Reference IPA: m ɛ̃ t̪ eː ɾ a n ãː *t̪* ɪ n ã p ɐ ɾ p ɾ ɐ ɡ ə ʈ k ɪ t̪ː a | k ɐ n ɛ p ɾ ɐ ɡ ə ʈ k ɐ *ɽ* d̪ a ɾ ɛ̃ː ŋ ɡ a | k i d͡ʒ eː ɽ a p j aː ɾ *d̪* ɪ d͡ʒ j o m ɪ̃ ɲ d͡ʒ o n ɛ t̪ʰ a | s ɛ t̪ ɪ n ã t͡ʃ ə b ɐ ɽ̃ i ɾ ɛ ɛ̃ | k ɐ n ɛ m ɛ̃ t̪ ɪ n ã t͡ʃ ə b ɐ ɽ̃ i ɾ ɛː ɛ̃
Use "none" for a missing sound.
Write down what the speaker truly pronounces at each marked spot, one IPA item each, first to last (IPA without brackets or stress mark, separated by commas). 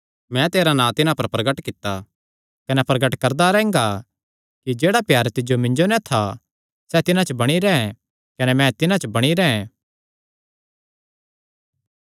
t̪, ɾ, t̪